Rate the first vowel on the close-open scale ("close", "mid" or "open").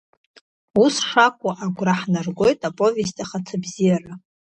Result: close